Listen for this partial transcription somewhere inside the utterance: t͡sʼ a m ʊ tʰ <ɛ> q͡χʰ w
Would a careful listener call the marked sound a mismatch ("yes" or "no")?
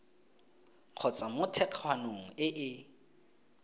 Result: no